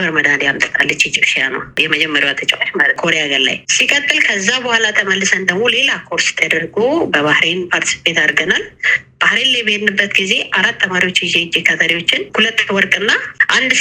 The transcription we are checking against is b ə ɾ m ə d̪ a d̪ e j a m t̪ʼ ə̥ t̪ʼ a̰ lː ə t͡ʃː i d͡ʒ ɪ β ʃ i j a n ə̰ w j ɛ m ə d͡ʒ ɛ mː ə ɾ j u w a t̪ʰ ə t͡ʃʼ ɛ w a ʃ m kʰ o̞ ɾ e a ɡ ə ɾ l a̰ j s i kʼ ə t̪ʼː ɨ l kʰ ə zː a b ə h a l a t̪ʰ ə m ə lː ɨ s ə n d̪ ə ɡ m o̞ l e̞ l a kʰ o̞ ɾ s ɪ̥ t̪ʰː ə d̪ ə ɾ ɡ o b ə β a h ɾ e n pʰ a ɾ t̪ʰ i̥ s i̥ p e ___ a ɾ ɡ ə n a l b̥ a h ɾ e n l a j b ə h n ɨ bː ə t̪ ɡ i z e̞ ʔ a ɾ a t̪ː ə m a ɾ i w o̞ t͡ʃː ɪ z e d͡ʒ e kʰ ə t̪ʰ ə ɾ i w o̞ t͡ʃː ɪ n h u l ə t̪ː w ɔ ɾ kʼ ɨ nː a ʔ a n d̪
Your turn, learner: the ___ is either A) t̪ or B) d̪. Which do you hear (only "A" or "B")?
A